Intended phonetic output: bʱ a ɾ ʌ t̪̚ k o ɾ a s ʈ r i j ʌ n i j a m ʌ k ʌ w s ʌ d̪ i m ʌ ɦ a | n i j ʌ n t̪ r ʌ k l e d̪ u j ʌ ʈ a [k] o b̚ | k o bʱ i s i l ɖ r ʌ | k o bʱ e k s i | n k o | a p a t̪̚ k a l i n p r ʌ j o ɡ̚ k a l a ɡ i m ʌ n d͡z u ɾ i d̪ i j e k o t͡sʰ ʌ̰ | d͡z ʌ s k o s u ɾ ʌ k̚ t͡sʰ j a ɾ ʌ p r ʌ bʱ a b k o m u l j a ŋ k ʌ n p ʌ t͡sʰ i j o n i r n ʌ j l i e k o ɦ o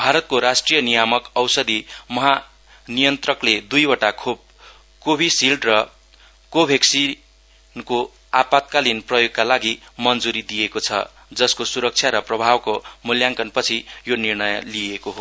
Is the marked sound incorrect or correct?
incorrect